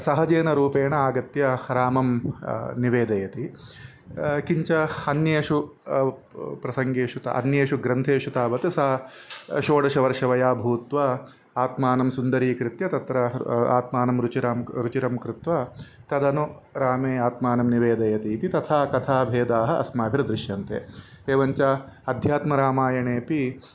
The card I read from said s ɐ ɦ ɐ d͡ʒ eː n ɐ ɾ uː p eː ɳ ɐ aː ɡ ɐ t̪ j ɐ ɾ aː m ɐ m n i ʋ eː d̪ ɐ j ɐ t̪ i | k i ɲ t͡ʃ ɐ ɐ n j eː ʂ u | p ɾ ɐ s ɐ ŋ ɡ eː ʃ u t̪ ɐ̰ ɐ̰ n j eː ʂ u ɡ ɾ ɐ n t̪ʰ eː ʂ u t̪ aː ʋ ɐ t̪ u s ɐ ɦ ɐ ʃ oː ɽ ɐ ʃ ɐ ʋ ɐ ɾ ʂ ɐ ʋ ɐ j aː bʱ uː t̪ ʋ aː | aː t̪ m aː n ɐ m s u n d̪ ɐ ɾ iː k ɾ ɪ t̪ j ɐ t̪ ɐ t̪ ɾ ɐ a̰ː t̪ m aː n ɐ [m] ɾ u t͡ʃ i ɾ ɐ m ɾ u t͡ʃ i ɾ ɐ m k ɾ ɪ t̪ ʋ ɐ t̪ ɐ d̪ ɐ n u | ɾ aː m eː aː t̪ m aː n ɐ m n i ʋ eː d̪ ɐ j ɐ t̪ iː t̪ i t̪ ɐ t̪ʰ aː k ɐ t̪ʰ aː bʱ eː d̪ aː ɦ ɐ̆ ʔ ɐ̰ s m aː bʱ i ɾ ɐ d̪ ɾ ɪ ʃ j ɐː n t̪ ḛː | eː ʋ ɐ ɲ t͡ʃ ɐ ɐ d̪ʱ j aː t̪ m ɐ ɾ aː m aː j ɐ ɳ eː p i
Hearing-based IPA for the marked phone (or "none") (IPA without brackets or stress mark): m